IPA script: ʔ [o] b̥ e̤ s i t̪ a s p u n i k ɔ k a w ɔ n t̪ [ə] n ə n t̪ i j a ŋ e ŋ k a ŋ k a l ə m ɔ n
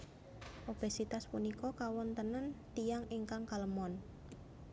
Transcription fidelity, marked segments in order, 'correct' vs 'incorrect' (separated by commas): correct, correct